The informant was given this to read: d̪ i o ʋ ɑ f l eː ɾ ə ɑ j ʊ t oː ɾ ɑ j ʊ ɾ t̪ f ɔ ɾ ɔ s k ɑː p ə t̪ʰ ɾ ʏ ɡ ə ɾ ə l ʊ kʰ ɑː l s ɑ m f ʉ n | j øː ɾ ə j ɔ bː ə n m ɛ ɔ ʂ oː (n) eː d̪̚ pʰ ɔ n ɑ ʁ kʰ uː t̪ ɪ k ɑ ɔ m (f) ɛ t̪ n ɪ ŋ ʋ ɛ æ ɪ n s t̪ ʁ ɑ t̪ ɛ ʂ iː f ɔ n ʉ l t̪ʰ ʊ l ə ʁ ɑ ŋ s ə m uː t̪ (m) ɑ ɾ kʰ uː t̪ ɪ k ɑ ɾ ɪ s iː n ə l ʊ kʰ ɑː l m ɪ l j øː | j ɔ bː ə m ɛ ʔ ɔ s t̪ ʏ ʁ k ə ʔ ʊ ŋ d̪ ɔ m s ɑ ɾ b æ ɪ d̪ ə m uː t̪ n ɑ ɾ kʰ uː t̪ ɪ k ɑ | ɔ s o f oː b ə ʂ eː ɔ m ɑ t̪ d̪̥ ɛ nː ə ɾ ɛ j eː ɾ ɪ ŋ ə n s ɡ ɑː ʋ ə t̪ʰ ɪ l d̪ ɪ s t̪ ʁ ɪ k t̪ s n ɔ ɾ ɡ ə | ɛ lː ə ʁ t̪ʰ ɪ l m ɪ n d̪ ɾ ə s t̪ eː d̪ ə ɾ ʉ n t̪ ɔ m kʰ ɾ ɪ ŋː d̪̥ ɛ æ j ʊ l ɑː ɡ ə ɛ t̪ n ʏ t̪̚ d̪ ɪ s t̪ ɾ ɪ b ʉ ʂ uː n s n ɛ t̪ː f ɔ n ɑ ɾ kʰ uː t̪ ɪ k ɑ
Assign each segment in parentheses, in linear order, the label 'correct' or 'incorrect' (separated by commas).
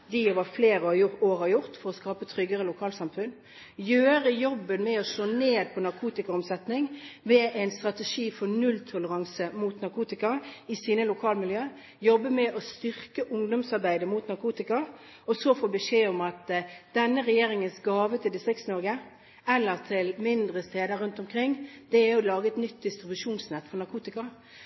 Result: correct, incorrect, incorrect